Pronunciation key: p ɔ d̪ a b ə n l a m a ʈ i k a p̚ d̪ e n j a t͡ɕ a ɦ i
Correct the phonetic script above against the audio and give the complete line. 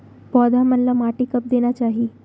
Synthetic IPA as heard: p ɔ d̪ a m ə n l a m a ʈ i k ə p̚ d̪ e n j a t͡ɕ a ɦ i